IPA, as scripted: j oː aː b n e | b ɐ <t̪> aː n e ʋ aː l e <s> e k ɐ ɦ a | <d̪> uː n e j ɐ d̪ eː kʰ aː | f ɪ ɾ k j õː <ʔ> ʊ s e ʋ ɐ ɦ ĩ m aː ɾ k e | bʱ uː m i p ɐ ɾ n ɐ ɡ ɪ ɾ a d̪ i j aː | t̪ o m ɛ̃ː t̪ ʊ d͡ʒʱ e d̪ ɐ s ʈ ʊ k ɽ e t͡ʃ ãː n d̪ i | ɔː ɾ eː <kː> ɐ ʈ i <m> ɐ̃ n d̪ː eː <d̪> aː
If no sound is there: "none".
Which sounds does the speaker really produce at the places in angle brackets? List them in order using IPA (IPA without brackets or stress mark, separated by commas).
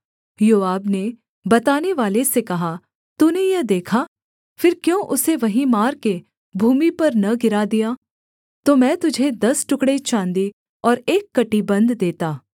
t̪, s, t̪, ʔ, kː, b, t̪